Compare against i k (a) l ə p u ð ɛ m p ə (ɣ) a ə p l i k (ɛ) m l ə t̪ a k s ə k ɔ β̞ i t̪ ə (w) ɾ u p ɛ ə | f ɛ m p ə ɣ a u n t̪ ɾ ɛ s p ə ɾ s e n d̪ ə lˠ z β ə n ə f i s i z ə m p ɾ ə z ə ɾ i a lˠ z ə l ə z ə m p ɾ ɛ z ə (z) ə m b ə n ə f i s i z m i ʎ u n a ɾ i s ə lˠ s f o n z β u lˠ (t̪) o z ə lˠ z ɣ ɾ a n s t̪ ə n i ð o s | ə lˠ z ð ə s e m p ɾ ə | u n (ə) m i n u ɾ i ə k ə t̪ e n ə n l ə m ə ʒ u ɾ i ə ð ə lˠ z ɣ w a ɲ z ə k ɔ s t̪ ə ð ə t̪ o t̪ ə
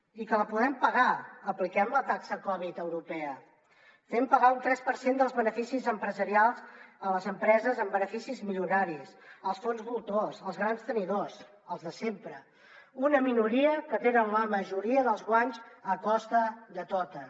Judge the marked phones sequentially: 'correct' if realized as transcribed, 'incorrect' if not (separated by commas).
incorrect, correct, correct, correct, correct, correct, correct